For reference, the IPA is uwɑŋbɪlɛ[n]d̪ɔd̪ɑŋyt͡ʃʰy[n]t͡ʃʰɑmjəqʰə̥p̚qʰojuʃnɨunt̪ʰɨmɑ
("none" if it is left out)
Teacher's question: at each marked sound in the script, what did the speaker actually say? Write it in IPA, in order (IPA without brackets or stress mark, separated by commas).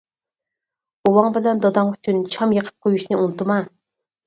n, n